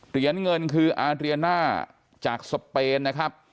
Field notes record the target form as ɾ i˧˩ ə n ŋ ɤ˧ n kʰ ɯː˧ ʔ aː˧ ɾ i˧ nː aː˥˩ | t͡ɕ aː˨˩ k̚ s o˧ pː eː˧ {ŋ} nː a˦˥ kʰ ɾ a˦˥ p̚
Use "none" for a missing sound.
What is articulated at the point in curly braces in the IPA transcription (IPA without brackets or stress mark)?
none